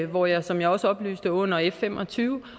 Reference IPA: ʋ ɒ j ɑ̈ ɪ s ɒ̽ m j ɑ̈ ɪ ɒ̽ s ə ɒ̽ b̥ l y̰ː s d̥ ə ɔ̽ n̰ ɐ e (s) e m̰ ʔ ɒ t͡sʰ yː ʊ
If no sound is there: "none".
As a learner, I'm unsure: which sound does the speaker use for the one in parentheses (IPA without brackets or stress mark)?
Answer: f